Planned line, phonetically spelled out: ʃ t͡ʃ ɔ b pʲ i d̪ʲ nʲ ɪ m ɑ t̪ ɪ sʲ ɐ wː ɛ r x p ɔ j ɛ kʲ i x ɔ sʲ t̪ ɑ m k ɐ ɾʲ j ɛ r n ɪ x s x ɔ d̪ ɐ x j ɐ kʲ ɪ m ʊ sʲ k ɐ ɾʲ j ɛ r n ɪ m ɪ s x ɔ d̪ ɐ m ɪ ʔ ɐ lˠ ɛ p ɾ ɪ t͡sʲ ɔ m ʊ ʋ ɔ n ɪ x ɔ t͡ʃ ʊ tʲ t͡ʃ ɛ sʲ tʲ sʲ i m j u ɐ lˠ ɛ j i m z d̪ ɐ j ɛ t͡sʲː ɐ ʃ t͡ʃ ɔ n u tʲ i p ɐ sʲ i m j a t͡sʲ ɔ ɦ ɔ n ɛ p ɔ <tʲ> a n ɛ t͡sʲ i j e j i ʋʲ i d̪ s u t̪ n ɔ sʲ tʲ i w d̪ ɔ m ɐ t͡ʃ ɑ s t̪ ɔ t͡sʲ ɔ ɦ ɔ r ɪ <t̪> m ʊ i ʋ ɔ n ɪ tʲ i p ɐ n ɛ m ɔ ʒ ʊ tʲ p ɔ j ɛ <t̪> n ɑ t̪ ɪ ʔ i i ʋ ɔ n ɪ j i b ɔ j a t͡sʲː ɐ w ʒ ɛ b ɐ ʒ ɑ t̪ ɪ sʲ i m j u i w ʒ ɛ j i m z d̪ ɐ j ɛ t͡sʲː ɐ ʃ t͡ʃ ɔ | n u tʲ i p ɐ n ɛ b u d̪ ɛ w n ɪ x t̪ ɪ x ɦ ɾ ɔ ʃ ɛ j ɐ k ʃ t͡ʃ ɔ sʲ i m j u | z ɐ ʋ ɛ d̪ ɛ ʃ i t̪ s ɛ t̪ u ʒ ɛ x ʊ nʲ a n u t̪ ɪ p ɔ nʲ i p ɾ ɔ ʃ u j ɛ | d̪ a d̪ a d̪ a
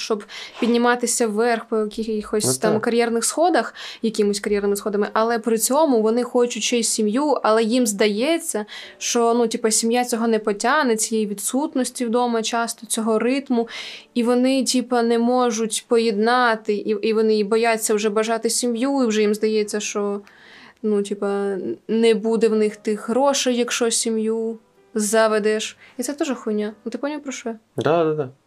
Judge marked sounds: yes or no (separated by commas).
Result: yes, yes, no